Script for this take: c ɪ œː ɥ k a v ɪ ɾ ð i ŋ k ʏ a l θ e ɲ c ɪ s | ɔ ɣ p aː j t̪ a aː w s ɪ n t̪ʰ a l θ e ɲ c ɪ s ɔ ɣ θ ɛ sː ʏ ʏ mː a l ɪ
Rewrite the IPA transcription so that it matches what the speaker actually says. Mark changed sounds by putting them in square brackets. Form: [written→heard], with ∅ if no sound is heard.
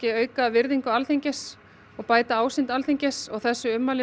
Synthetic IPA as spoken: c ɪ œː ɥ k a v ɪ ɾ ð i ŋ k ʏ a l θ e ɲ c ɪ s | ɔ ɣ p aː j t̪ a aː w s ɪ n [t̪ʰ→t̪] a l θ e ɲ c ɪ s ɔ ɣ θ ɛ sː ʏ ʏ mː a l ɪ